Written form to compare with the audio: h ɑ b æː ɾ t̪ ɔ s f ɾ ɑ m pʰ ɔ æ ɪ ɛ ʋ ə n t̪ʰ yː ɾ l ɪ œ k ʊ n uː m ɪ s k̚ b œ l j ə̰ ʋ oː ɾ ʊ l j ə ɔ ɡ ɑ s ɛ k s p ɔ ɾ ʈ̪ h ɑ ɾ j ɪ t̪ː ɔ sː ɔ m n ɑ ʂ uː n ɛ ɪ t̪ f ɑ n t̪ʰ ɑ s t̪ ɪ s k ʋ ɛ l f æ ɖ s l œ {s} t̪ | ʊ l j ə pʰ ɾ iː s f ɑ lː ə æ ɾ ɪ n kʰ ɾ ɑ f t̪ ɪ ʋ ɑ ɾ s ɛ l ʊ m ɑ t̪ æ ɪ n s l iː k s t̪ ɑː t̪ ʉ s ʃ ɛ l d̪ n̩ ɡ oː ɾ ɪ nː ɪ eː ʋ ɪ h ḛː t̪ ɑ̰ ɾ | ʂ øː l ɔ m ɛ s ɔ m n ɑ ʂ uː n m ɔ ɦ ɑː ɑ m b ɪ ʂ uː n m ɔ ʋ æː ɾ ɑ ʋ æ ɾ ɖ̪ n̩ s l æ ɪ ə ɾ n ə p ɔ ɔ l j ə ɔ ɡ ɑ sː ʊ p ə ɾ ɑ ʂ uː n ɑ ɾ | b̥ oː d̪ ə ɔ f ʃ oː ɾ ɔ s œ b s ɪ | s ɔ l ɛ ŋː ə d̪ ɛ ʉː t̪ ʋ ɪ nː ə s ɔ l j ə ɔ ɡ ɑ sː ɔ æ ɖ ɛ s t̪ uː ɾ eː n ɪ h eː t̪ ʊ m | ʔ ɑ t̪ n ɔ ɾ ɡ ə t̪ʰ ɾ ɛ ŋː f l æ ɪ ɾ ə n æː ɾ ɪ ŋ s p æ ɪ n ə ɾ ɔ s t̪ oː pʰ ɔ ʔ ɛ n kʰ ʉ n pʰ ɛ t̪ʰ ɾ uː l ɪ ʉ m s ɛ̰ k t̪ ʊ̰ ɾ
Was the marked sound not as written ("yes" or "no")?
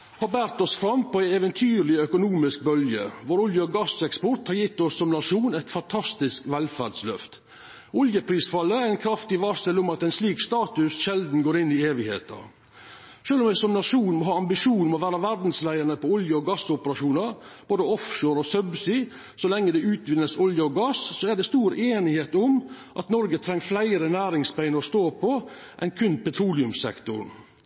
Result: yes